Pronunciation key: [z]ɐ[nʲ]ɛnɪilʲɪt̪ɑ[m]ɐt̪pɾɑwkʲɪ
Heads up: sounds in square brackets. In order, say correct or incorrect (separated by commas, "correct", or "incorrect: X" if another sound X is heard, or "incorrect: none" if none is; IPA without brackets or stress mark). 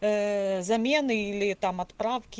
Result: correct, incorrect: mʲ, correct